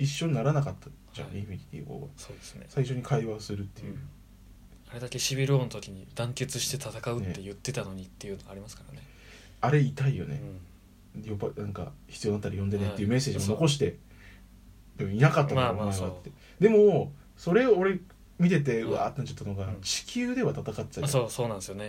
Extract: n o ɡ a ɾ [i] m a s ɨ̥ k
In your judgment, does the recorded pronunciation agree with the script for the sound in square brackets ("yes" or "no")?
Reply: yes